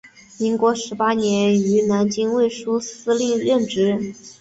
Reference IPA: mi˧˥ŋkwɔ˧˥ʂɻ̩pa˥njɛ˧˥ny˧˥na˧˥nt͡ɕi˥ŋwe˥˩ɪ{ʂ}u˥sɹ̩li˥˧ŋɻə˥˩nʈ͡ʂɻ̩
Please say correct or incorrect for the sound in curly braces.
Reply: correct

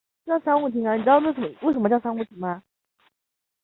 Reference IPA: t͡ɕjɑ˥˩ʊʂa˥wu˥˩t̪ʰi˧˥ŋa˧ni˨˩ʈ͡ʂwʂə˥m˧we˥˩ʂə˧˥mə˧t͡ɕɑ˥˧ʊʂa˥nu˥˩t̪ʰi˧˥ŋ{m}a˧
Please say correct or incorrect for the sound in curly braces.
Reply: correct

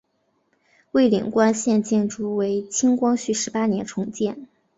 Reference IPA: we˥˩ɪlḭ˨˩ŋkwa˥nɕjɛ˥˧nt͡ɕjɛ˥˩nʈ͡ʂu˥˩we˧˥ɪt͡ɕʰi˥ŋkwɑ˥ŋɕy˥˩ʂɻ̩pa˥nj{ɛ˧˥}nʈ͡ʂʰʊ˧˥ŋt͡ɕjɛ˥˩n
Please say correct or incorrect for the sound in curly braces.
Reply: correct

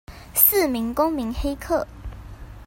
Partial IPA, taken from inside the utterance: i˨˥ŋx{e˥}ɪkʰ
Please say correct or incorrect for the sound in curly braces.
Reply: correct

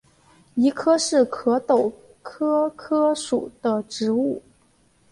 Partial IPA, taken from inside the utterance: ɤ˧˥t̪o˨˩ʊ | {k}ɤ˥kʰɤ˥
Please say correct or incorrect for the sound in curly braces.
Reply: incorrect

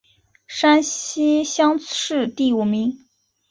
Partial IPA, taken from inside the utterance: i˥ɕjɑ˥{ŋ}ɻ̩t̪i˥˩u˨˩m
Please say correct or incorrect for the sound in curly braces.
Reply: correct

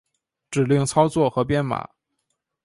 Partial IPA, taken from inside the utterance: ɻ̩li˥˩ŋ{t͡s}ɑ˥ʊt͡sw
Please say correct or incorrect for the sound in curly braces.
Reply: incorrect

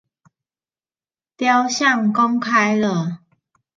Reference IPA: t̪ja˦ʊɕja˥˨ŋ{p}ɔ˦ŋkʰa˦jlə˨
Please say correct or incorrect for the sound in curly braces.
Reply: incorrect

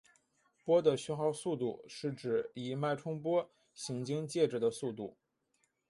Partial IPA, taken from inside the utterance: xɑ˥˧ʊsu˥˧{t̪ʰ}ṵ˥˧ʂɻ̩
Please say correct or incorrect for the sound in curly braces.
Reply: incorrect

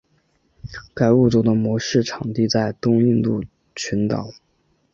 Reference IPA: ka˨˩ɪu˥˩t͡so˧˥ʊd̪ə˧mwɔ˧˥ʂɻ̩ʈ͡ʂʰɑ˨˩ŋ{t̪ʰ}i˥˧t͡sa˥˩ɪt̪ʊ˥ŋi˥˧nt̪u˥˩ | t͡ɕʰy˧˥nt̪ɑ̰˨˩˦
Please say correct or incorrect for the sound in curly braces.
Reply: incorrect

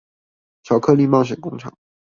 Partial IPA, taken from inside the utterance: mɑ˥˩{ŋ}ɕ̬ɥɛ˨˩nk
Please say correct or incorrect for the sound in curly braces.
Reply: correct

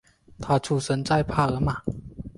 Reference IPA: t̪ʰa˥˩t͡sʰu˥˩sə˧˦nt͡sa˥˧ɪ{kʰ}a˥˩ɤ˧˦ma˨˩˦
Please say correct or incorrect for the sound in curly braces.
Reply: incorrect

